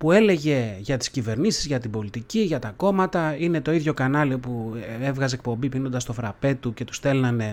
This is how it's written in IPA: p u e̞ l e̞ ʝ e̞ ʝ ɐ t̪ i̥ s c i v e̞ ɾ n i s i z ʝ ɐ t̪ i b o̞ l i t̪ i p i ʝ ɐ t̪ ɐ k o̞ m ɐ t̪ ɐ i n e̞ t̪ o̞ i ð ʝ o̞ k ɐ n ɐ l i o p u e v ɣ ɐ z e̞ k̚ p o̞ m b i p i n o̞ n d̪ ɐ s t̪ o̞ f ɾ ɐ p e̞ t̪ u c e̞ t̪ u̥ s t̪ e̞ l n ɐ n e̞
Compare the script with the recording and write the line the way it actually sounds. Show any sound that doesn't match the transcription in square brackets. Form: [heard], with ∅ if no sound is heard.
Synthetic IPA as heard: p u e̞ l e̞ ʝ e̞ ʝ ɐ t̪ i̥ s c i v e̞ ɾ n i s i z ʝ ɐ t̪ i b o̞ l i t̪ i [c] i ʝ ɐ t̪ ɐ k o̞ m ɐ t̪ ɐ i n e̞ t̪ o̞ i ð ʝ o̞ k ɐ n ɐ l i o p u e v ɣ ɐ z e̞ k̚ p o̞ m b i p i n o̞ n d̪ ɐ s t̪ o̞ f ɾ ɐ p e̞ t̪ u c e̞ t̪ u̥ s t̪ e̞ l n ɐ n e̞